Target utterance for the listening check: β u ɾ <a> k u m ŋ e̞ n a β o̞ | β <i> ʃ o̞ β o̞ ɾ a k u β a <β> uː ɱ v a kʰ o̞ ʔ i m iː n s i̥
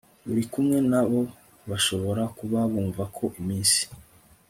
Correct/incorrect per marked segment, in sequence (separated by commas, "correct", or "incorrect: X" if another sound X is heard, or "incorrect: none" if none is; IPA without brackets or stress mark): incorrect: i, incorrect: a, correct